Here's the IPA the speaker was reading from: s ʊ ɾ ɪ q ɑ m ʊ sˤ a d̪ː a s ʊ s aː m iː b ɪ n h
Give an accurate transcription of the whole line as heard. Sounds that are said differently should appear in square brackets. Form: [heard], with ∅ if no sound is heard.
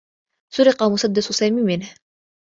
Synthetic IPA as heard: s ʊ ɾ ɪ q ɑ m ʊ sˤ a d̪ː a s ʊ s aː m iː [m] ɪ n h